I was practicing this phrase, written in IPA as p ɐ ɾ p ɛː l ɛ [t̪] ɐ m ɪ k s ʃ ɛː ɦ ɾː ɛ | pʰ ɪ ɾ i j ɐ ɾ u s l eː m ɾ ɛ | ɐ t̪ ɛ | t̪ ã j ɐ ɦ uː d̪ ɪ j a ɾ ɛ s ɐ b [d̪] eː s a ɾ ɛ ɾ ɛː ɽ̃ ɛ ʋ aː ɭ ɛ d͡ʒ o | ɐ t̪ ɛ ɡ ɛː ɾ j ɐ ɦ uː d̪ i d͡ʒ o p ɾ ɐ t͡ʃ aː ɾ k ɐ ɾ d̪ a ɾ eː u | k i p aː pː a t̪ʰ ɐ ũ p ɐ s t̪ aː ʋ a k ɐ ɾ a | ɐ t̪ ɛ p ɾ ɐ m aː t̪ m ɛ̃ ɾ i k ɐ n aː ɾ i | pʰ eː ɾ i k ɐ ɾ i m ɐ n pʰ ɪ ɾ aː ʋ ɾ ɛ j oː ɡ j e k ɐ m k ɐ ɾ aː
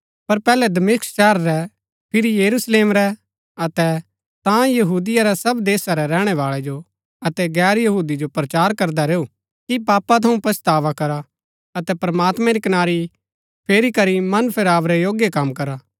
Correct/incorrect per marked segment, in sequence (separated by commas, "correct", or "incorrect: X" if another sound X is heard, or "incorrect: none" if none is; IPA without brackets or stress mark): incorrect: d̪, correct